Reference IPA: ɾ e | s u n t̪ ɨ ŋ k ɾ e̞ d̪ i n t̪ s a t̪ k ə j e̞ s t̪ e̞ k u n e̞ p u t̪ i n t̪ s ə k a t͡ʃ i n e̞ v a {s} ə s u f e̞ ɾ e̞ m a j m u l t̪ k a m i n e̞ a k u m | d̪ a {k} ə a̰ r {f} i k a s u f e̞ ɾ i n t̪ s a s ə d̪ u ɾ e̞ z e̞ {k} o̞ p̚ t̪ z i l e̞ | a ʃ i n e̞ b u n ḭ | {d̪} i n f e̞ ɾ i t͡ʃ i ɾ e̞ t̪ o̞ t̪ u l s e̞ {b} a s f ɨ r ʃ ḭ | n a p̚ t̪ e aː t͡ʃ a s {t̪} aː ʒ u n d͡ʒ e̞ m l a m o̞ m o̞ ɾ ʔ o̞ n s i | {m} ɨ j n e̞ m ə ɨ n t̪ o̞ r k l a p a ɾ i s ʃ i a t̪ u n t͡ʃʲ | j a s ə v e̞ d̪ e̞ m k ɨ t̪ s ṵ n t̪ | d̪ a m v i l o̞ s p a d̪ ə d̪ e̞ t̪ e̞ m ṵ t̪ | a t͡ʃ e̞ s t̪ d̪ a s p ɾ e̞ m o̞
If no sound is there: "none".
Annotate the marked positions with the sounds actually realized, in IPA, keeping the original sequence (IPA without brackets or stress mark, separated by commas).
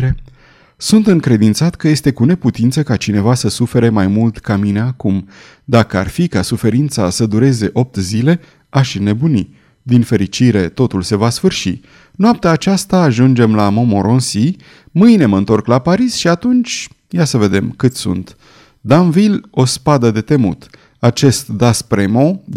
s, k, f, ʔ, d̪, v, t̪, m